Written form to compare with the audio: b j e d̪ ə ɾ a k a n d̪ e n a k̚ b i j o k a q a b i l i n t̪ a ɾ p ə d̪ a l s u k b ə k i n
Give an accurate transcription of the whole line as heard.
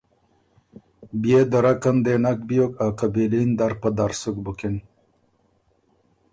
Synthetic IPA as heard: b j e d̪ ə ɾ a k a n d̪ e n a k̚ b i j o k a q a b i l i n d̪ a ɾ p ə d̪ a ɾ s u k b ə k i n